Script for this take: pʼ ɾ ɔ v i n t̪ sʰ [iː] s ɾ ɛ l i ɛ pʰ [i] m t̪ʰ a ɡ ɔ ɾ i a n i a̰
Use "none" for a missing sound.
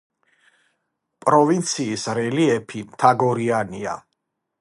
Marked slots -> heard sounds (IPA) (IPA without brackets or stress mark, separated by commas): iː, i